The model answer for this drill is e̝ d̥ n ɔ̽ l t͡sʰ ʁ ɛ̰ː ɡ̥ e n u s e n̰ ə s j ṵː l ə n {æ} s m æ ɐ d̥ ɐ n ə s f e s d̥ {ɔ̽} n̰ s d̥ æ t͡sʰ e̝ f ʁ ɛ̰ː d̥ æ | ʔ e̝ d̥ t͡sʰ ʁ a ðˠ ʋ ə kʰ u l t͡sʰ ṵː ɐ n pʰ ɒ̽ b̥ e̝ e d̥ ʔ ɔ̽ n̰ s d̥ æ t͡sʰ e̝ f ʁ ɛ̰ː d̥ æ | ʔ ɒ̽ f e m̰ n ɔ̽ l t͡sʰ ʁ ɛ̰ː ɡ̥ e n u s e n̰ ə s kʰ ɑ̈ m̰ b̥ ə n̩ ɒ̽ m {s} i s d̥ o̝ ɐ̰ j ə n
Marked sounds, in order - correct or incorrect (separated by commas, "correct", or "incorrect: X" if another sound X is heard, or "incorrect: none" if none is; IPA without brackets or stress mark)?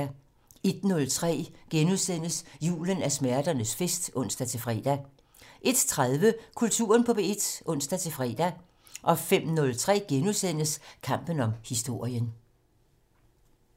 correct, correct, incorrect: h